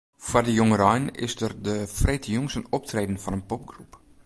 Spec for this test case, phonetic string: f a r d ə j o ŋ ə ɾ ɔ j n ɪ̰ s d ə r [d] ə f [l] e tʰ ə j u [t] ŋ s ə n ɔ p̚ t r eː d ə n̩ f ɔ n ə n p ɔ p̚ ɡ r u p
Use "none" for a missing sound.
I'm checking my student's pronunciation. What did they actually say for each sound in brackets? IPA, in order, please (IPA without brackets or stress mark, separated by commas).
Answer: d, r, none